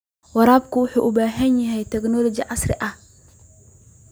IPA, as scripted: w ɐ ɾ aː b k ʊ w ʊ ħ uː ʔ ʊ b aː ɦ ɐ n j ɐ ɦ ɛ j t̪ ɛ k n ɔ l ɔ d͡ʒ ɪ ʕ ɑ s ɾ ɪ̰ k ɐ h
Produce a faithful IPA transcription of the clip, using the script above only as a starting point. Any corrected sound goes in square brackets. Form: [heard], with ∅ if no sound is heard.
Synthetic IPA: w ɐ ɾ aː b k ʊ w ʊ ħ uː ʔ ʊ b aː ɦ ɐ n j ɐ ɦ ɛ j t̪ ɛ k n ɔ l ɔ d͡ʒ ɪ ʕ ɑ s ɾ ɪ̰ [ʔ] ɐ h

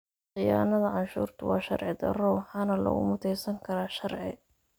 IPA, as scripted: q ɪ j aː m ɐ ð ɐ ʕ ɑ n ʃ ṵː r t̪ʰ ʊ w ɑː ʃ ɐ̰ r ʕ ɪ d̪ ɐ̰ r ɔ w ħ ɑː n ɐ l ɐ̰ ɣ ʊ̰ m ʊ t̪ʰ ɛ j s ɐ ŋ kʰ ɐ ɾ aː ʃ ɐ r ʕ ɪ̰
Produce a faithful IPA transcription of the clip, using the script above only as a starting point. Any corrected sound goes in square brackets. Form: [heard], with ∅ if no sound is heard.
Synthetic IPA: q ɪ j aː [n] ɐ ð ɐ ʕ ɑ n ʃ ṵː r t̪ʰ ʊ w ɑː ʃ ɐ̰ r ʕ ɪ d̪ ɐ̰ r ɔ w ħ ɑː n ɐ l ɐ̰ ɣ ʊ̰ m ʊ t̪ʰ ɛ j s ɐ ŋ kʰ ɐ ɾ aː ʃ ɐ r ʕ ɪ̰

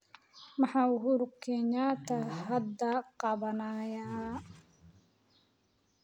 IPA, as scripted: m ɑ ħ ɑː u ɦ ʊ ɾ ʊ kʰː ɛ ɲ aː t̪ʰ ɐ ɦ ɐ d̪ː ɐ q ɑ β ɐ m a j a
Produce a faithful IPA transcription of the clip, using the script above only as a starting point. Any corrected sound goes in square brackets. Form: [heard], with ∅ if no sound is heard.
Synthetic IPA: m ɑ ħ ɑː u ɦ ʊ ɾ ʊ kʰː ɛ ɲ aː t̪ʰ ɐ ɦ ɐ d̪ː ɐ q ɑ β ɐ [n] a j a

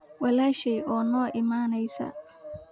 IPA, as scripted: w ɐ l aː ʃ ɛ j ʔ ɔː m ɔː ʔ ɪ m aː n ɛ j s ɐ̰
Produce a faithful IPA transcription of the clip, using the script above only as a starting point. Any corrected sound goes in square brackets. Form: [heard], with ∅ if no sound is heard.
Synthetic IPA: w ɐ l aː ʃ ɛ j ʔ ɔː [n] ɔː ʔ ɪ m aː n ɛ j s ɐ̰

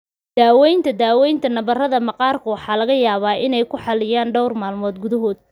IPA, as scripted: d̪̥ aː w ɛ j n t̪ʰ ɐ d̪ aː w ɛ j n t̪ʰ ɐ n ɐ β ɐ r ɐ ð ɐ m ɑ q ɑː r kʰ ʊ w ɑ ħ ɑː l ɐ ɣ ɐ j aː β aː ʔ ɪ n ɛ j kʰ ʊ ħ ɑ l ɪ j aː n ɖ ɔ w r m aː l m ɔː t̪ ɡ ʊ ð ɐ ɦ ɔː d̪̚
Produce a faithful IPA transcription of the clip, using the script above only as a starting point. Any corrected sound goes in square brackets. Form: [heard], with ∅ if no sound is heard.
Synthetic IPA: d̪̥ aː w ɛ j n t̪ʰ ɐ d̪ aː w ɛ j n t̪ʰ ɐ n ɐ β ɐ r ɐ ð ɐ m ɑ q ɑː r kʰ ʊ w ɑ ħ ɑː l ɐ ɣ ɐ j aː β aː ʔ ɪ n ɛ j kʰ ʊ ħ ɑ l ɪ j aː n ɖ ɔ w r m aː l m ɔː [d̪] ɡ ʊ ð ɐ ɦ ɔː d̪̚

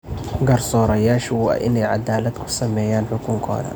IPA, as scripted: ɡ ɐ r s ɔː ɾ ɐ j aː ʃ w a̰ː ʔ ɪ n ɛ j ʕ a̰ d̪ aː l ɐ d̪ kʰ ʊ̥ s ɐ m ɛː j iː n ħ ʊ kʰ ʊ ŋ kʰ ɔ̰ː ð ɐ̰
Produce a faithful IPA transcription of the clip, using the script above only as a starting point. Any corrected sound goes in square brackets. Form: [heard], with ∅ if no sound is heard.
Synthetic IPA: ɡ ɐ r s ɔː ɾ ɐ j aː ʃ w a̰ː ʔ ɪ n ɛ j ʕ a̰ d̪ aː l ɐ d̪ kʰ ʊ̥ s ɐ m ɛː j [aː] n ħ ʊ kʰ ʊ ŋ kʰ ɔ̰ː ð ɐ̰

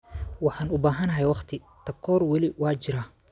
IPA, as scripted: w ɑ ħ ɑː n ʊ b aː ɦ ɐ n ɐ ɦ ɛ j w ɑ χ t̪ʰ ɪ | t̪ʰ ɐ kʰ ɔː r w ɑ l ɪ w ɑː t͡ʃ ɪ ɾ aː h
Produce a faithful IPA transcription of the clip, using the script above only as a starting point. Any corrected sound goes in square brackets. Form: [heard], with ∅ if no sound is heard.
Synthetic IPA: w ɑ ħ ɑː n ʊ b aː ɦ ɐ n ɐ ɦ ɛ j w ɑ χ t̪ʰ ɪ | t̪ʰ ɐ kʰ ɔː r w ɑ l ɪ w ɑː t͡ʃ ɪ ɾ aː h

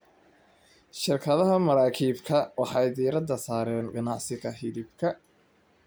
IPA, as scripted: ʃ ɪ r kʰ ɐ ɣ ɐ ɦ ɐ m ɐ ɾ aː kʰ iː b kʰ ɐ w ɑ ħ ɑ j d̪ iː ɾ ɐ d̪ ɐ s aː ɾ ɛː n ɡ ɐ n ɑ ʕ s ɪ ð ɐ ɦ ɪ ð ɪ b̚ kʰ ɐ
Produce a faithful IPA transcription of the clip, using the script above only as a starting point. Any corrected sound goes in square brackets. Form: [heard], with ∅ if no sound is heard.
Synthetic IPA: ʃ ɪ r kʰ ɐ [ð] ɐ ɦ ɐ m ɐ ɾ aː kʰ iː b kʰ ɐ w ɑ ħ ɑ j d̪ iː ɾ ɐ d̪ ɐ s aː ɾ ɛː n ɡ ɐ n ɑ ʕ s ɪ [ɣ] ɐ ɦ ɪ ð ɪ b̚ kʰ ɐ

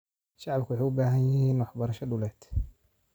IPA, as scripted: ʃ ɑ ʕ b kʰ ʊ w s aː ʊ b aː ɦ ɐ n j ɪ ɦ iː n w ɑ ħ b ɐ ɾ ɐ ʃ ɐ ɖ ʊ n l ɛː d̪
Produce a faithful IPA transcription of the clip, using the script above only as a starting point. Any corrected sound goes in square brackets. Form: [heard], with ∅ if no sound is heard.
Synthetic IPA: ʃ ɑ ʕ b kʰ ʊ w [ħ] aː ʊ b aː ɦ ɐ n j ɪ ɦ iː n w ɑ ħ b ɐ ɾ ɐ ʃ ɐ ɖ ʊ [∅] l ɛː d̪

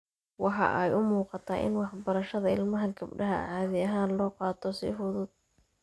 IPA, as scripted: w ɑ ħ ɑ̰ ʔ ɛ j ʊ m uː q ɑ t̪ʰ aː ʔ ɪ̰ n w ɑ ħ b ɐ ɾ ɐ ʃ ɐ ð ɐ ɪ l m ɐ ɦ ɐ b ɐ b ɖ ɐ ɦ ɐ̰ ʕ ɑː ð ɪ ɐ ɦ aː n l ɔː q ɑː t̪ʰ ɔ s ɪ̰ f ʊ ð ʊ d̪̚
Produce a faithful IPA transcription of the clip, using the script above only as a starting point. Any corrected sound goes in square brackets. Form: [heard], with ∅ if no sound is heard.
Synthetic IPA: w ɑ ħ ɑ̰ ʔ ɛ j ʊ m uː q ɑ t̪ʰ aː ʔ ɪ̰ n w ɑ ħ b ɐ ɾ ɐ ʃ ɐ ð ɐ ɪ l m ɐ ɦ ɐ [ɡ] ɐ b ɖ ɐ ɦ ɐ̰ ʕ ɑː ð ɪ ɐ ɦ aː n l ɔː q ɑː t̪ʰ ɔ s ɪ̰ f ʊ ð ʊ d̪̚

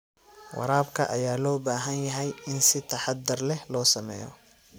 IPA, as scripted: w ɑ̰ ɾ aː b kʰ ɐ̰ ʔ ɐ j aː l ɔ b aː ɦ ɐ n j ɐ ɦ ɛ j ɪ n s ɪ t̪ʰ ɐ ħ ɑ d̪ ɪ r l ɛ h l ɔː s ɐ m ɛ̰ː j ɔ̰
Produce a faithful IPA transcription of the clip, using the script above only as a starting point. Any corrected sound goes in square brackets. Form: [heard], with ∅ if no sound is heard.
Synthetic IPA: w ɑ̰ ɾ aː b kʰ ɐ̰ ʔ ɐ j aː l [ɔː] b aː ɦ ɐ n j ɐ ɦ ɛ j ɪ n s ɪ t̪ʰ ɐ ħ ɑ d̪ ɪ r l ɛ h l ɔː s ɐ m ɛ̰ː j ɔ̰

